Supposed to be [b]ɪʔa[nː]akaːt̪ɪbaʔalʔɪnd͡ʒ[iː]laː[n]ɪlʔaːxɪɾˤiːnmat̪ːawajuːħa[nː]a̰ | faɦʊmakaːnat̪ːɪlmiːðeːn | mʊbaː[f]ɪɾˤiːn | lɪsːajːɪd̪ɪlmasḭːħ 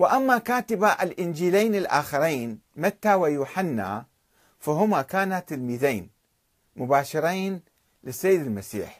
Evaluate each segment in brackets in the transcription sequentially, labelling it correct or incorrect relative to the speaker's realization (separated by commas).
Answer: incorrect, incorrect, correct, correct, correct, incorrect